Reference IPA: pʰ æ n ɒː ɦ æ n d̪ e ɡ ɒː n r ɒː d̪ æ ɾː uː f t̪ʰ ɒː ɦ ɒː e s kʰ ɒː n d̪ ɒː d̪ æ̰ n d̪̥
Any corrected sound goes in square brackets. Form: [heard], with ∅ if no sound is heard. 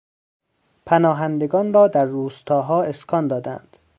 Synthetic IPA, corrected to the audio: pʰ æ n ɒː ɦ æ n d̪ e ɡ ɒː n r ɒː d̪ æ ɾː uː [s] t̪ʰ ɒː ɦ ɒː e s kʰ ɒː n d̪ ɒː d̪ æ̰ n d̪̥